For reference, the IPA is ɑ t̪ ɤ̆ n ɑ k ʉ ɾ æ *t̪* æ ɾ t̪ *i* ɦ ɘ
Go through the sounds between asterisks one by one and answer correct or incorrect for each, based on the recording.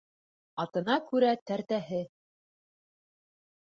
correct, incorrect

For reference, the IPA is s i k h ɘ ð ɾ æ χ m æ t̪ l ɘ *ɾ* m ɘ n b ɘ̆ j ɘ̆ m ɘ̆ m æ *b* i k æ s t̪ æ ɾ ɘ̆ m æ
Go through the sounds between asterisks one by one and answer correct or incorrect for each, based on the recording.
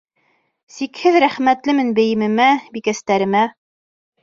incorrect, correct

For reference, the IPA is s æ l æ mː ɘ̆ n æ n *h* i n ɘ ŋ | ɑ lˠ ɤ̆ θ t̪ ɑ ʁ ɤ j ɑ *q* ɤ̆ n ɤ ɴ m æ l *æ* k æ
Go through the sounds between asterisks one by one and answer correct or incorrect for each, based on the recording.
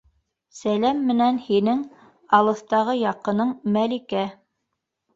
correct, correct, incorrect

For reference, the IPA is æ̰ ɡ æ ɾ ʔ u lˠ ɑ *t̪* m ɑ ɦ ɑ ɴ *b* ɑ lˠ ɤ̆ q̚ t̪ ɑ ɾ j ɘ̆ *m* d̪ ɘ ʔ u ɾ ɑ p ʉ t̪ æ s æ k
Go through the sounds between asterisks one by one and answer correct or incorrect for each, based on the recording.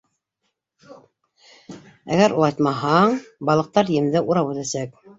correct, correct, correct

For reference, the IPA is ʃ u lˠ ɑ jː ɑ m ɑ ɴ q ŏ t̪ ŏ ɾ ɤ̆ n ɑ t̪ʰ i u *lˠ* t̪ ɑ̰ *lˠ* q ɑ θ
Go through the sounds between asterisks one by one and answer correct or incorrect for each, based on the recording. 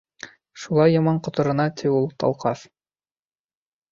correct, correct

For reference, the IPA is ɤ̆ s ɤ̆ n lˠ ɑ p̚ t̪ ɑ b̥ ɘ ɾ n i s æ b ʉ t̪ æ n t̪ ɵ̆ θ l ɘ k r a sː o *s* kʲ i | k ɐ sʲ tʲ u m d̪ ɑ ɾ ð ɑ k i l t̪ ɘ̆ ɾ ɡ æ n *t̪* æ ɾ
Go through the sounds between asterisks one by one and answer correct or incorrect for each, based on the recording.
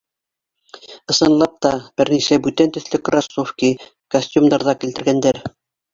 incorrect, incorrect

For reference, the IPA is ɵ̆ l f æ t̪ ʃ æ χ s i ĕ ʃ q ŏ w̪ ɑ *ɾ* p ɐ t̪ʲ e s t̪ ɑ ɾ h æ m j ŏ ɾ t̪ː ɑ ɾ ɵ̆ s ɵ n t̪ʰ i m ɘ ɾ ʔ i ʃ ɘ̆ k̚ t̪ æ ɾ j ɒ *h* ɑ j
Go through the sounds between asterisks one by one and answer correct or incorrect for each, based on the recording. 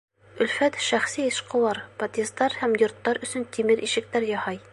correct, correct

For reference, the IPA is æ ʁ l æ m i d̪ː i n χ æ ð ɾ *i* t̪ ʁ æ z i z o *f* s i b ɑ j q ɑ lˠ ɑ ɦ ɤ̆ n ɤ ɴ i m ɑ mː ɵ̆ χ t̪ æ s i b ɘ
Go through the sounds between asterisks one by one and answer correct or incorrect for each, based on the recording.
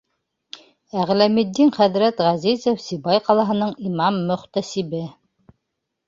incorrect, correct

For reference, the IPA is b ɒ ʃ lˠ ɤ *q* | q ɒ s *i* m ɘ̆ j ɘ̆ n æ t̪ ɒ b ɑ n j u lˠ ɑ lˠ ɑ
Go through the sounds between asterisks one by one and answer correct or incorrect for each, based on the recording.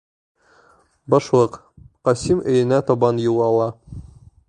correct, correct

